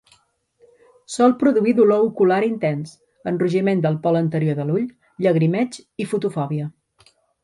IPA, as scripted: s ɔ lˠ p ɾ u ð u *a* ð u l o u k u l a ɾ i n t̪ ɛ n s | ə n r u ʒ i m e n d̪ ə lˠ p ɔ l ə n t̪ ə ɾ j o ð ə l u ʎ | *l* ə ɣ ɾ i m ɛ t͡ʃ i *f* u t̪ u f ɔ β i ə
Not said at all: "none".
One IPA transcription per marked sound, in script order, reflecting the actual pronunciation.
i, ʎ, f

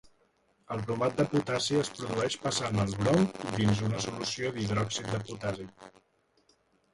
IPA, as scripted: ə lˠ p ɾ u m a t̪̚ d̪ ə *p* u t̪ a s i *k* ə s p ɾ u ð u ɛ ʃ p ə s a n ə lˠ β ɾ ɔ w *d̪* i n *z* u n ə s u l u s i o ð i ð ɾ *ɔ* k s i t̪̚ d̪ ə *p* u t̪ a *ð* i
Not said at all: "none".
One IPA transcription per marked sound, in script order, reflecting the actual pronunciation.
p, none, d̪, z, ɔ, p, z

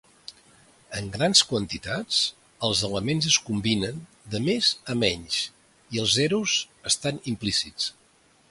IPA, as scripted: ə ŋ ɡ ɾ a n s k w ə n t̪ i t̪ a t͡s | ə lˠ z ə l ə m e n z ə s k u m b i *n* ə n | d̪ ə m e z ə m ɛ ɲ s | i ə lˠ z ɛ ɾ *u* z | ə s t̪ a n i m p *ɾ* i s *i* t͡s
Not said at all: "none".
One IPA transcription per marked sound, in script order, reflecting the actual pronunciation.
n, u, l, i

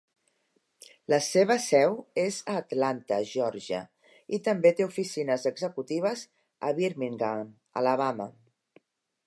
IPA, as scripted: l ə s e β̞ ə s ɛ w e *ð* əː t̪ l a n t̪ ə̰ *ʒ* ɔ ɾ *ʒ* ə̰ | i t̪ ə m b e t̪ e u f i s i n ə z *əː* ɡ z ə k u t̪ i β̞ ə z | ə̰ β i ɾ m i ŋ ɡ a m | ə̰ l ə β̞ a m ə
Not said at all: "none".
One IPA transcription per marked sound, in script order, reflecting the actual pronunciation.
z, ʒ, ʒ, ə

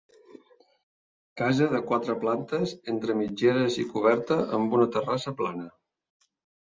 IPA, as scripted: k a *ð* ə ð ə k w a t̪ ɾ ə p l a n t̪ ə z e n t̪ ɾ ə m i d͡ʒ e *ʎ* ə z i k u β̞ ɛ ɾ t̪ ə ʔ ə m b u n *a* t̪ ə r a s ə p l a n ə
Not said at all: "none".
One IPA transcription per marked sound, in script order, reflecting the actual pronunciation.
z, ɾ, ə

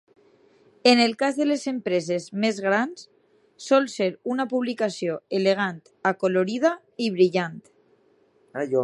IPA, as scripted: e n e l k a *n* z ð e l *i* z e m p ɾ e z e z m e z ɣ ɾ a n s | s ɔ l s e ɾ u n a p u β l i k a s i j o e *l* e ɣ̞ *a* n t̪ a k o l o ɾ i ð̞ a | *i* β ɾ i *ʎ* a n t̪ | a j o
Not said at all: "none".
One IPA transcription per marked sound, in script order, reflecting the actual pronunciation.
none, e, l, a, i, ʎ

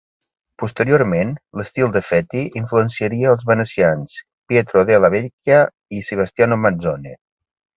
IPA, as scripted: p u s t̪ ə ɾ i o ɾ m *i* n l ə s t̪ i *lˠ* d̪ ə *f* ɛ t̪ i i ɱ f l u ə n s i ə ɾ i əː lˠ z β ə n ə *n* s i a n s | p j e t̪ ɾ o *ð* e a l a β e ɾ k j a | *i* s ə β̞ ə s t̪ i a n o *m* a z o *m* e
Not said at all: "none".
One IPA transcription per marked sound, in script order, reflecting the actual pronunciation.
e, lˠ, f, none, ð, i, m, n

